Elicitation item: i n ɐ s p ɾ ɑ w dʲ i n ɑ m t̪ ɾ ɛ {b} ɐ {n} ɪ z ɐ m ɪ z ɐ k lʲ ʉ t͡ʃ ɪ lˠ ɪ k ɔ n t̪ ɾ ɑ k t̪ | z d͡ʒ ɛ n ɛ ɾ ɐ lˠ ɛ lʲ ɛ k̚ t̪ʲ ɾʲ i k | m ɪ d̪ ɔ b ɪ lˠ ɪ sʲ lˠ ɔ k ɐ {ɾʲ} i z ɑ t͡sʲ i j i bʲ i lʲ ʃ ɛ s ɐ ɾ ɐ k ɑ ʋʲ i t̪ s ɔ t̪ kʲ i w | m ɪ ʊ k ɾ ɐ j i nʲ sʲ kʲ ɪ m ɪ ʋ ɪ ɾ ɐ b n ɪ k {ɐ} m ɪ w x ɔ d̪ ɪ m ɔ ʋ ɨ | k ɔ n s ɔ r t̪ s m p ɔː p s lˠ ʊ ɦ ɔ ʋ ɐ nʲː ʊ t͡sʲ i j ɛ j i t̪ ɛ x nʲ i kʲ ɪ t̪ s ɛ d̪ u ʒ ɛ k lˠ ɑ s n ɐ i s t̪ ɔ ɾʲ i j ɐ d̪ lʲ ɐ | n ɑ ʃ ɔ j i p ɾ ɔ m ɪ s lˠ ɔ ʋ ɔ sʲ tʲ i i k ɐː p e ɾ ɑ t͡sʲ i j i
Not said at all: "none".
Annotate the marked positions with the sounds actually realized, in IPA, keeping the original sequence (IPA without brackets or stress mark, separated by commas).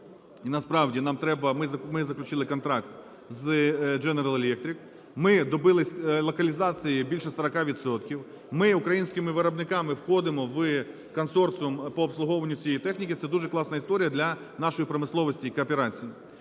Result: b, m, lʲ, ɑ